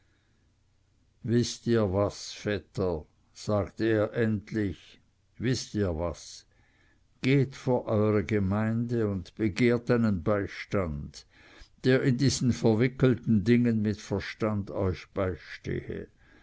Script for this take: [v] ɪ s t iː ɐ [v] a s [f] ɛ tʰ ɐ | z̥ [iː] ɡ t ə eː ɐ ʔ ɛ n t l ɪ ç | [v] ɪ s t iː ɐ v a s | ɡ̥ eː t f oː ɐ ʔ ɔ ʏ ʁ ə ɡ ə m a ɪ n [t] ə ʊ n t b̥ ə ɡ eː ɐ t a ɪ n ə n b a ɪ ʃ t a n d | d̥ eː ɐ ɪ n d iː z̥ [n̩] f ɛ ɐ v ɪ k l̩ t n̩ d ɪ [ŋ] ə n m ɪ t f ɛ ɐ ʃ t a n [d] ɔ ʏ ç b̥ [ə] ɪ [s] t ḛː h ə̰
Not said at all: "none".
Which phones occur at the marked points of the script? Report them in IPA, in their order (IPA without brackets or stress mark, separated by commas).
v, v, f, aː, v, d, n̩, ŋ, d, a, ʃ